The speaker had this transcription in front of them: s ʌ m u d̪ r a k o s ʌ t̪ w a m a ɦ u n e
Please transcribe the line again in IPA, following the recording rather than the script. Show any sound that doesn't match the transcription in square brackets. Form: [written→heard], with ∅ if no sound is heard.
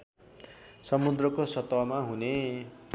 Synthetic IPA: s ʌ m u d̪ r [a→ʌ] k o s ʌ t̪ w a m a ɦ u n e